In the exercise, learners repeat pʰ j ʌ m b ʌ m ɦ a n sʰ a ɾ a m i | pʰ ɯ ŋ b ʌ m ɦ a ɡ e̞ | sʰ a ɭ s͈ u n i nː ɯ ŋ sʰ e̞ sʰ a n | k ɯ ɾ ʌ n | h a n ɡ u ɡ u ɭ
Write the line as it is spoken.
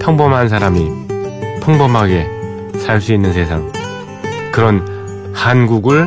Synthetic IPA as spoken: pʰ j ʌ ŋ b ʌ m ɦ a n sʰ a ɾ a m i | pʰ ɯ ŋ b ʌ m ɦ a ɡ e̞ | sʰ a ɭ s͈ u i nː ɯ n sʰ e̞ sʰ a ŋ | k ɯ ɾ ʌ n | h a n ɡ u ɡ ɯ ɭ